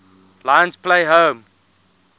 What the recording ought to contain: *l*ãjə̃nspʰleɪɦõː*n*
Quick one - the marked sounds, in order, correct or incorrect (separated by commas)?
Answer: correct, incorrect